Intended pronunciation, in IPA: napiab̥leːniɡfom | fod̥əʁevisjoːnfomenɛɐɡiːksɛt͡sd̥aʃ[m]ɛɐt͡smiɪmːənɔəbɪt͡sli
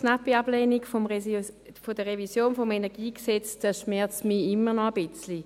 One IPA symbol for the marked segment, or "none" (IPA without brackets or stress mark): m